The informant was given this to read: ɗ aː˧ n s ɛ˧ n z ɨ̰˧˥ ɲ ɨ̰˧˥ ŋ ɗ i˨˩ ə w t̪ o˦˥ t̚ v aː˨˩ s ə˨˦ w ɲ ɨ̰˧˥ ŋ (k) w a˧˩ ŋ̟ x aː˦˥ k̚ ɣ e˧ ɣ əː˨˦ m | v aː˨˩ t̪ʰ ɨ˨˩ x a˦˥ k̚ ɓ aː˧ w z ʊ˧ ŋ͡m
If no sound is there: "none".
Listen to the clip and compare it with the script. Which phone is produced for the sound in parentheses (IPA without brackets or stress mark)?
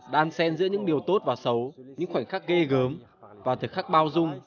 x